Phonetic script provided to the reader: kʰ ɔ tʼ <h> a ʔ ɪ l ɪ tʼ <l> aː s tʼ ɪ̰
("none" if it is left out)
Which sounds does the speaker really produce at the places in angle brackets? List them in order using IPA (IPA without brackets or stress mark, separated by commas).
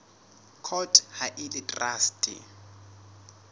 h, r